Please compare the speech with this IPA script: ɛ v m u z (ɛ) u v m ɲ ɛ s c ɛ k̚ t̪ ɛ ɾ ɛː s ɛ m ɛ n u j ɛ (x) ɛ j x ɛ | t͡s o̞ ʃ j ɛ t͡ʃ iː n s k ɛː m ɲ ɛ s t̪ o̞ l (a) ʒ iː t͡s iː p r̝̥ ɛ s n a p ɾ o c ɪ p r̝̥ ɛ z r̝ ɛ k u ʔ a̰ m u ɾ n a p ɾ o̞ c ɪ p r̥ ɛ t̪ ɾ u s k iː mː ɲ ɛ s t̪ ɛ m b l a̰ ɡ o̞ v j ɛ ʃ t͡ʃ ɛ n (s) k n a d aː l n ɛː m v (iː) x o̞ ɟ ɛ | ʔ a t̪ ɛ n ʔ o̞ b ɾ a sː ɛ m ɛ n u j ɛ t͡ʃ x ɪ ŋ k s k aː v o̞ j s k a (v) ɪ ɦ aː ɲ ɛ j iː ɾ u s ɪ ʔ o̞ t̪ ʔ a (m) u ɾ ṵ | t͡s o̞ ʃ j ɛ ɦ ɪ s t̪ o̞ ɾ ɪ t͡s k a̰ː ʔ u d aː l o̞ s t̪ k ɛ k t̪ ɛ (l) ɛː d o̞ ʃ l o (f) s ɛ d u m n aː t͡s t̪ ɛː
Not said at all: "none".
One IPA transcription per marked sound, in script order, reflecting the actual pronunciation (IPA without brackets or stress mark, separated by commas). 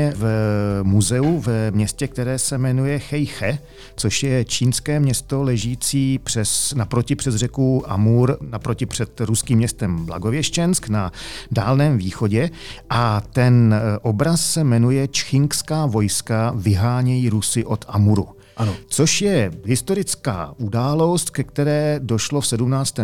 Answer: ɛ, x, ɛ, s, iː, v, m, ɾ, f